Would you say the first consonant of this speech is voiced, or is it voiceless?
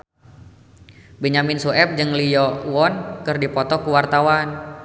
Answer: voiced